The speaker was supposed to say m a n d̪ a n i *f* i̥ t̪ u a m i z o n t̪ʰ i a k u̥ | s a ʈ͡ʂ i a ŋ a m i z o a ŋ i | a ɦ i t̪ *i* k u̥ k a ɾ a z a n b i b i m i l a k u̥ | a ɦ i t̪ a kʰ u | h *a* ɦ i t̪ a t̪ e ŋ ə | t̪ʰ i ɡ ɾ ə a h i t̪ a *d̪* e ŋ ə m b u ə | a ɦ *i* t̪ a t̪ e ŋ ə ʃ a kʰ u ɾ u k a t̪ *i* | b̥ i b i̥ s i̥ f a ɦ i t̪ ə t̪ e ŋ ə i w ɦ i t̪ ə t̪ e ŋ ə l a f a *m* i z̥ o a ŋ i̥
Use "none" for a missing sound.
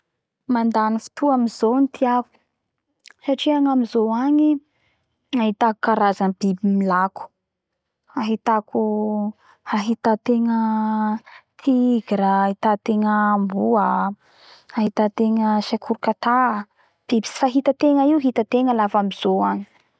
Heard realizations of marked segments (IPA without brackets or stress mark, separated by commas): f, a, a, t̪, i, a, m